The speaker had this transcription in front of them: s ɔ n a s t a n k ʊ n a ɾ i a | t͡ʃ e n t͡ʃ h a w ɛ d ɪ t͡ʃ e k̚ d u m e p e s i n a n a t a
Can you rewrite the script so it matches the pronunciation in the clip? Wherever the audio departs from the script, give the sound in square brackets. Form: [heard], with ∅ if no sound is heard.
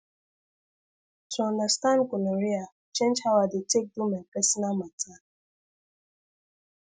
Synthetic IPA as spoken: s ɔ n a s t a n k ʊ n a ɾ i a | t͡ʃ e n t͡ʃ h a w [a] d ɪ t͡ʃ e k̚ d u m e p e s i n a [m] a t a

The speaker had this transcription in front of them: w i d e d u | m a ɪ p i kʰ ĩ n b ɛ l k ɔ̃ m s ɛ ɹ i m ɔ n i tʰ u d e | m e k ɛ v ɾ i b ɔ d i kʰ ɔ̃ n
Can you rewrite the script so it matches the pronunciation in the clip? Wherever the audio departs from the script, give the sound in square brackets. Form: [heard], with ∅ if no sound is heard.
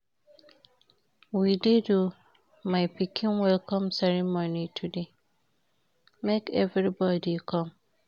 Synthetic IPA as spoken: w i d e d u | m a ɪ p i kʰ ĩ n [w] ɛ l k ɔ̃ m s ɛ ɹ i m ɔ n i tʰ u d e | m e k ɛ v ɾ i b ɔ d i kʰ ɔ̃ [m]

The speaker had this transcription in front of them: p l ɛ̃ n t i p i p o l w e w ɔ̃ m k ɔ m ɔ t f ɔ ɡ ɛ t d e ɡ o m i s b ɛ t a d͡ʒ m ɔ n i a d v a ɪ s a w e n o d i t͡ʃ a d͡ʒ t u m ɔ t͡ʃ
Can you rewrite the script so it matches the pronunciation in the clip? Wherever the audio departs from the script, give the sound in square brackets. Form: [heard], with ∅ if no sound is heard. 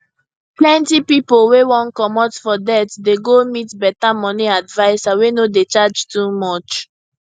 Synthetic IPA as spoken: p l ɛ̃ n t i p i p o l w e w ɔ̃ [n] k ɔ m ɔ t f ɔ [d] ɛ t d e ɡ o m i [t] b ɛ t a [∅] m ɔ n i a d v a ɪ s a w e n o d [e] t͡ʃ a d͡ʒ t u m ɔ t͡ʃ

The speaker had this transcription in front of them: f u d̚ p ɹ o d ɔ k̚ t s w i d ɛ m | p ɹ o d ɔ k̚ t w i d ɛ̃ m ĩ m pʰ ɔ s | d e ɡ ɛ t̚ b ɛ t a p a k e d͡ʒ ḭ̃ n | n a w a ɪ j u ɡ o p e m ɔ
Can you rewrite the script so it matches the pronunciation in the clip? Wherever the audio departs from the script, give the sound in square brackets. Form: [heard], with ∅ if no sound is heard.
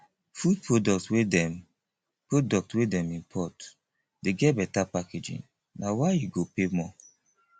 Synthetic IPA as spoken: f u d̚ p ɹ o d ɔ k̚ t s w [e] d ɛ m | p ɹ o d ɔ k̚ t w [e] d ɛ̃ m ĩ m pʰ ɔ [t] | d e ɡ ɛ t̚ b ɛ t a p a k e d͡ʒ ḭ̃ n | n a w a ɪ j u ɡ o p e m ɔ

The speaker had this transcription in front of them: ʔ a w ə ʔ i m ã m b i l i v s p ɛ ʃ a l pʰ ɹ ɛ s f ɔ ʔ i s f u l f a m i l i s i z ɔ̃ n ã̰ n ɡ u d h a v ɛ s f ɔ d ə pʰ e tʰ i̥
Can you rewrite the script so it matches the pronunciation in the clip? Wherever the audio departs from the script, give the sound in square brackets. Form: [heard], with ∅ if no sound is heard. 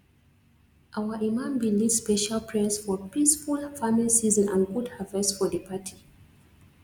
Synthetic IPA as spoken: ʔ a w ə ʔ i m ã m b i l i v s p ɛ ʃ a l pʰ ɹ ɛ s f ɔ [p] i s f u l f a m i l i s i z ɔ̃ n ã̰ n ɡ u d h a v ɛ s f ɔ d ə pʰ [a] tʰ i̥

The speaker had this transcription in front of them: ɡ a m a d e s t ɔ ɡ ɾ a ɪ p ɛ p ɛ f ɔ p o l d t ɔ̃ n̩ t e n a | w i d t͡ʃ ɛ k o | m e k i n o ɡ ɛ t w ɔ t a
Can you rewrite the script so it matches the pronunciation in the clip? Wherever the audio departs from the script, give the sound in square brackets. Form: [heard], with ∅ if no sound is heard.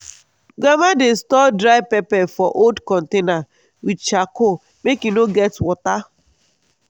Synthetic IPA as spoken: ɡ a m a d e s t ɔ [d] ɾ a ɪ p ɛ p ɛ f ɔ [ʔ] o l d [k] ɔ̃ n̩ t e n a | w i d t͡ʃ [a] k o | m e k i n o ɡ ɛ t w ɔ t a

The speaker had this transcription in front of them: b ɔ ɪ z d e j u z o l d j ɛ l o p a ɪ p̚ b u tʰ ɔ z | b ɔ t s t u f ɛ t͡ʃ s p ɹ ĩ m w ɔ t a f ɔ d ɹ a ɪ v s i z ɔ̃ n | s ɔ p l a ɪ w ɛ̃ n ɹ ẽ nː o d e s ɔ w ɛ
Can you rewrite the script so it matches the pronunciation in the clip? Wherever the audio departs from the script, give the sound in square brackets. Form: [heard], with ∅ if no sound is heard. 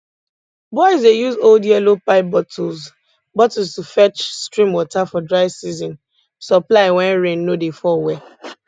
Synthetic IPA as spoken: b ɔ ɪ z d e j u z o l d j ɛ l o p a ɪ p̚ b [ɔ] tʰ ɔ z | b ɔ t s t u f ɛ t͡ʃ s [t] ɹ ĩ m w ɔ t a f ɔ d ɹ a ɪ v s i z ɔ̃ n | s ɔ p l a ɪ w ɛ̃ n ɹ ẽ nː o d e [f] ɔ w ɛ

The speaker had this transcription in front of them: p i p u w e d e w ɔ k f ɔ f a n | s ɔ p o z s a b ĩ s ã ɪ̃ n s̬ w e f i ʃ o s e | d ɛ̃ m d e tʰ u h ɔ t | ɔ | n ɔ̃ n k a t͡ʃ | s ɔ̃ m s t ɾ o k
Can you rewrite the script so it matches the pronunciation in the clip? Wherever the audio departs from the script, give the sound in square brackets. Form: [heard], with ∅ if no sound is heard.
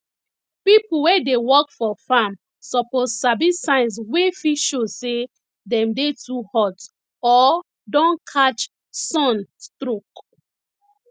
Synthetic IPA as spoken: p i p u w e d e w ɔ k f ɔ f a [m] | s ɔ p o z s a b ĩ s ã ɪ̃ n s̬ w e f i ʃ o s e | d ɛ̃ m d e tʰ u h ɔ t | ɔ | [d] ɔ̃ n [kʰ] a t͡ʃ | s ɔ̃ [n] s t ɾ o k

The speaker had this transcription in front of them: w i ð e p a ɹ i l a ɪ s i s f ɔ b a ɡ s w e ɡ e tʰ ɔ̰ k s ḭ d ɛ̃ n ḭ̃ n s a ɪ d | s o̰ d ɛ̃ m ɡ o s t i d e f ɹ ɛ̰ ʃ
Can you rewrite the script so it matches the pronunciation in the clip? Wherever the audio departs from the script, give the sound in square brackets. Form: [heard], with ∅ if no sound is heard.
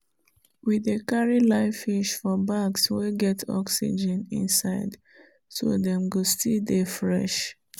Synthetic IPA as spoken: w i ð e [k] a ɹ i l a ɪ [f] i [ʃ] f ɔ b a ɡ s w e ɡ [ɛ] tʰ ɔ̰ k s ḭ [d͡ʒ] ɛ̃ n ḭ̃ n s a ɪ d | s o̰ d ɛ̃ m ɡ o s t i d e f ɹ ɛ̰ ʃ

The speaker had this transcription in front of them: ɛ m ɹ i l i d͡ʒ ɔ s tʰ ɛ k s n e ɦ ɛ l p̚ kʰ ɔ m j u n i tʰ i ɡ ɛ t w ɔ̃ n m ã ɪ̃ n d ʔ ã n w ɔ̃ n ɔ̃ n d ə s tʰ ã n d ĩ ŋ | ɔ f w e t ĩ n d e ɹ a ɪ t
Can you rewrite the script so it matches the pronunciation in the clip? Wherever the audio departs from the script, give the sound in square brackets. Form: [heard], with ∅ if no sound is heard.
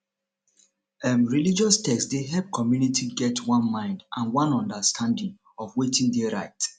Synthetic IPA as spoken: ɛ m ɹ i l i d͡ʒ ɔ s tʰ ɛ k s [d] e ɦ ɛ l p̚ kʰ ɔ m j u n i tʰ i ɡ ɛ t w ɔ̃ n m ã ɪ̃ n d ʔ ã n w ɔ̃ n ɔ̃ n d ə s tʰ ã n d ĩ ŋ | ɔ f w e t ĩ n d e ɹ a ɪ t

